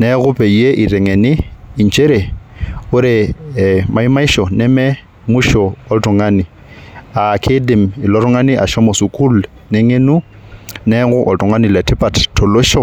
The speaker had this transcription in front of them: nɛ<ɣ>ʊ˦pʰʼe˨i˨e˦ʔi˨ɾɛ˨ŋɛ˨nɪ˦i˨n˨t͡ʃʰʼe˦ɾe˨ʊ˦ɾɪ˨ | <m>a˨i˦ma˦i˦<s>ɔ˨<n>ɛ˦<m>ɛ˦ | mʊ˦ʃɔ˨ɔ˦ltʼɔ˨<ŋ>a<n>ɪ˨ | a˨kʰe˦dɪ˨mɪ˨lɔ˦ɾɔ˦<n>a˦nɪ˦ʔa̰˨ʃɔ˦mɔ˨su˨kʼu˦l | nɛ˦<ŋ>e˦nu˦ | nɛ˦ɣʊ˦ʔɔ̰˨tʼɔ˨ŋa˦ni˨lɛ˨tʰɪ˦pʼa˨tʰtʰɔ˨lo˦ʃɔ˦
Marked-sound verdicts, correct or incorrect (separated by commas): correct, correct, incorrect, correct, correct, correct, correct, incorrect, correct